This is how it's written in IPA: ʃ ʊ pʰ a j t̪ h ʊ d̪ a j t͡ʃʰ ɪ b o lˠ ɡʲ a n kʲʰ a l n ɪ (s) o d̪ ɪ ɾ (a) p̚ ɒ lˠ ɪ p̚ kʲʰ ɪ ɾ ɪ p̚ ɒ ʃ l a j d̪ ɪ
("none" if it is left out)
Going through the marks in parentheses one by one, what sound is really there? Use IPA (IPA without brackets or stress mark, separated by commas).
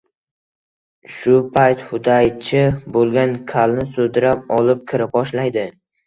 s, a